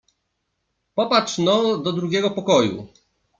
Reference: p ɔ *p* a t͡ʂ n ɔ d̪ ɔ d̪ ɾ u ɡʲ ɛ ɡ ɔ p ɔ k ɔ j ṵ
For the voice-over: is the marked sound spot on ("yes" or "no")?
yes